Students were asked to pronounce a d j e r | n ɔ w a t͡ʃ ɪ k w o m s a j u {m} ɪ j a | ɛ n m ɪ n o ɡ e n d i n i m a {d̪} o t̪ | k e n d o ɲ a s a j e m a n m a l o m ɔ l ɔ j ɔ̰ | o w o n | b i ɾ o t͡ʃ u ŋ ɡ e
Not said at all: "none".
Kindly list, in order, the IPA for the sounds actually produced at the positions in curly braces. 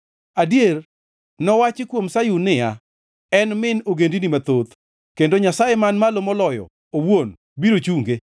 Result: n, t̪

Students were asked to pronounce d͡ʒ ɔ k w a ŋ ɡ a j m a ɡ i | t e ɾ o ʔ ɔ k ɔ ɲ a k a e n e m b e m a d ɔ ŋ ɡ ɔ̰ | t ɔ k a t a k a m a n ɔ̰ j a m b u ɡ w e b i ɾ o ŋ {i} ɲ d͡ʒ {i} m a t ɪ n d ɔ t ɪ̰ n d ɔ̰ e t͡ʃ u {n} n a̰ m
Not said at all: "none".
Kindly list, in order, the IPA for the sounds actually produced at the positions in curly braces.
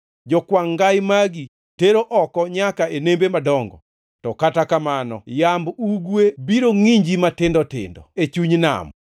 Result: i, i, ɲ

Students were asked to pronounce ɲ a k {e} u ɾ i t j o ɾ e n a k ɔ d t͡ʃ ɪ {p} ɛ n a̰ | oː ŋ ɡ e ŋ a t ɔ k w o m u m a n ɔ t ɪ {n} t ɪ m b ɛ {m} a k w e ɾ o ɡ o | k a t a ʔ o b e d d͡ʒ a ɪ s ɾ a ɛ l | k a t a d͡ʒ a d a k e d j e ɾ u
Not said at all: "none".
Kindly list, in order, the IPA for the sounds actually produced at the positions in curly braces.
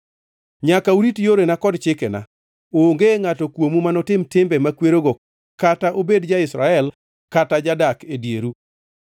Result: a, k, m, m

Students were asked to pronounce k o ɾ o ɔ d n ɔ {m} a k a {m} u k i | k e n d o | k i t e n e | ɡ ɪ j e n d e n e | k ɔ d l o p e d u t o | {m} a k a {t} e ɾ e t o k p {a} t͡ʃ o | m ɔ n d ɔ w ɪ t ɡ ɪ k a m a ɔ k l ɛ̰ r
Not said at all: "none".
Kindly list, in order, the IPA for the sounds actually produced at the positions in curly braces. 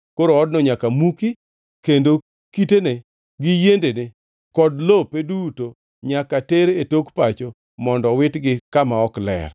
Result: ɲ, m, ɲ, t, a

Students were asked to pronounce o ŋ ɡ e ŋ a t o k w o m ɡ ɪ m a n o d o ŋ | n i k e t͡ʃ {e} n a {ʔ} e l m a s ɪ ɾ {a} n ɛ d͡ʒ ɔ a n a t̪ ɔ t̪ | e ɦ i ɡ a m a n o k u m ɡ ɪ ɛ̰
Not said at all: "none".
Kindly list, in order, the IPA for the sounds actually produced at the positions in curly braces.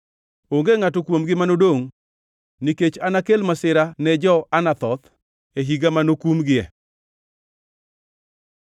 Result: a, k, a

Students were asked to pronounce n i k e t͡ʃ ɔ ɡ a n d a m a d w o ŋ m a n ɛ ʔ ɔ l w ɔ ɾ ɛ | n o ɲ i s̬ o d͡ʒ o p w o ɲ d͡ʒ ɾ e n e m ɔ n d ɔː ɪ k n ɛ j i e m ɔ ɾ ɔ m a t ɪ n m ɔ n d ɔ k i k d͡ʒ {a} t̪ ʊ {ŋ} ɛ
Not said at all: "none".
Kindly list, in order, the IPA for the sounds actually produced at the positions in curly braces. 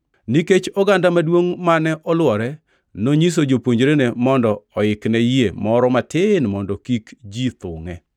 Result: i, ŋ

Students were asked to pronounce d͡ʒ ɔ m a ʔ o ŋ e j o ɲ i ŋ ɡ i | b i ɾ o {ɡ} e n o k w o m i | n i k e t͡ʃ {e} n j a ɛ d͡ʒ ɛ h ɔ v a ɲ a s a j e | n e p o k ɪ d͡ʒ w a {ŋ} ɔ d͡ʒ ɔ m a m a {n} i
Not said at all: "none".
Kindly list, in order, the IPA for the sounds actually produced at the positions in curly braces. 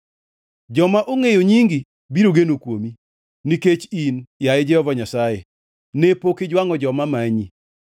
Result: ɡ, i, ŋ, ɲ

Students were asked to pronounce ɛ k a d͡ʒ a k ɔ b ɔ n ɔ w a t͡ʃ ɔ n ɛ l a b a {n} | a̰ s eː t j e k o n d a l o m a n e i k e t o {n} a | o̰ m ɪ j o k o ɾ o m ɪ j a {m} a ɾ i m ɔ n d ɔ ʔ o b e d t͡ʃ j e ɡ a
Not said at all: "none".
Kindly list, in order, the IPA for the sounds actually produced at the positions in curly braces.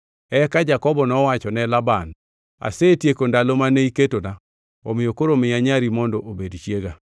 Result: n, n, ɲ

